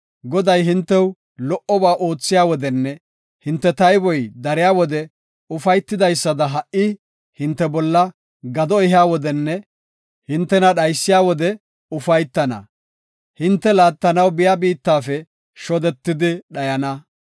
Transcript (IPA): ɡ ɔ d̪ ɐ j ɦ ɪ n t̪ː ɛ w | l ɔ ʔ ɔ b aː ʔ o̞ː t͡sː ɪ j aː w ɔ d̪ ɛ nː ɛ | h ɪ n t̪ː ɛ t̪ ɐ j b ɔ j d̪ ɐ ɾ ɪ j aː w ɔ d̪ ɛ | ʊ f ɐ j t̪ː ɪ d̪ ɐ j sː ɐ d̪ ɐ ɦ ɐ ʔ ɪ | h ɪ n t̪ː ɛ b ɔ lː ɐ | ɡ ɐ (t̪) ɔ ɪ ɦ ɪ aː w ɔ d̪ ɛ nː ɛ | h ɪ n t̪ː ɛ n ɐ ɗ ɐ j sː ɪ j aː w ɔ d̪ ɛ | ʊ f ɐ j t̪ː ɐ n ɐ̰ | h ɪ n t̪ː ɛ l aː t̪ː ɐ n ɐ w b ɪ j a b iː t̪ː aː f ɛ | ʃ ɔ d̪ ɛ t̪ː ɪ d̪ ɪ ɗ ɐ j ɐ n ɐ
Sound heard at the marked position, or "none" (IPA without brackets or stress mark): d̪